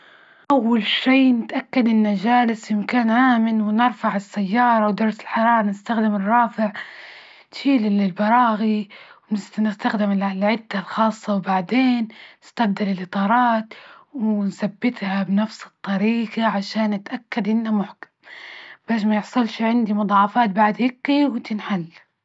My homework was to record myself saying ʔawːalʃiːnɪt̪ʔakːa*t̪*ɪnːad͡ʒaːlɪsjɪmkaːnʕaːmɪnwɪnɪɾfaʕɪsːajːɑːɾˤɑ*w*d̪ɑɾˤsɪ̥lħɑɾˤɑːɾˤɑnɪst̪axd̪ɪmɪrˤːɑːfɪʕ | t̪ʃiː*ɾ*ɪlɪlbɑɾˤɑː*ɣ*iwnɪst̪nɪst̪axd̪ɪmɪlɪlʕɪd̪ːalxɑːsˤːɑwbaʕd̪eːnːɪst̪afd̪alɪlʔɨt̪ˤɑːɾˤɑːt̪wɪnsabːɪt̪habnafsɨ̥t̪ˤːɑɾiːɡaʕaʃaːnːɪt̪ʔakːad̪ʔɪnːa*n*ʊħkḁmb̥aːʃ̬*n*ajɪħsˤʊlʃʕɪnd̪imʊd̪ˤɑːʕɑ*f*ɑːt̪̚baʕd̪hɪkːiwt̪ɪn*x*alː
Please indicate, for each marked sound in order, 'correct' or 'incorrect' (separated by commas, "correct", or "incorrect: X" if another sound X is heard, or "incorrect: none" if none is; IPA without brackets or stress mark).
incorrect: d̪, correct, incorrect: l, correct, incorrect: m, incorrect: m, correct, incorrect: ħ